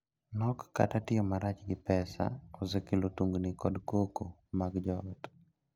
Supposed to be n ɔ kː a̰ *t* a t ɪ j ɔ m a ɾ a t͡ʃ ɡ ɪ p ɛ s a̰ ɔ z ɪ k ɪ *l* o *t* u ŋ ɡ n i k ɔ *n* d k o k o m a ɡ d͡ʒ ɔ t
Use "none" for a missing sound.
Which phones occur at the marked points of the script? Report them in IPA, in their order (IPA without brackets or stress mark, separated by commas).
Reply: t, l, t, none